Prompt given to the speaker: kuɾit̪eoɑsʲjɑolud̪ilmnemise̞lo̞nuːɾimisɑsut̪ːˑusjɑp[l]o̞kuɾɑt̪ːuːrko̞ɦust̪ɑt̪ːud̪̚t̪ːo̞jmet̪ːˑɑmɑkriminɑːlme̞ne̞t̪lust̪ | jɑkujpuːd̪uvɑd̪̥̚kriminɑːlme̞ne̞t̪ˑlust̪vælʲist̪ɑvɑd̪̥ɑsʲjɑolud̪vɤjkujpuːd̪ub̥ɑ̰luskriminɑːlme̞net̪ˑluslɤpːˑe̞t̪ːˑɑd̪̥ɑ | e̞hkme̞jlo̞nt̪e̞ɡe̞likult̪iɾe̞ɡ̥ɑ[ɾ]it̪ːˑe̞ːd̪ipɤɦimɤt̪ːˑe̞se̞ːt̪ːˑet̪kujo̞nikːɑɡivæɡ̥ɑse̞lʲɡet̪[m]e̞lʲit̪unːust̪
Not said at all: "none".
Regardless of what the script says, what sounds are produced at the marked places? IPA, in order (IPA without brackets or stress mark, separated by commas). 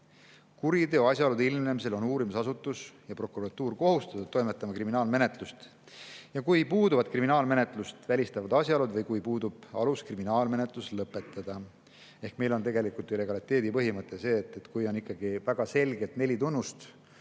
r, l, n